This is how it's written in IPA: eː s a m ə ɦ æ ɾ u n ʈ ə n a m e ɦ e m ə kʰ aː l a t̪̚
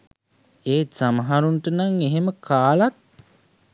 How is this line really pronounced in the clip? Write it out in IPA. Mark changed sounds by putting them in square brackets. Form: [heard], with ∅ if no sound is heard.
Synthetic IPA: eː s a m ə ɦ [a] ɾ u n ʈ ə n a [ŋ] e ɦ e m ə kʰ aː l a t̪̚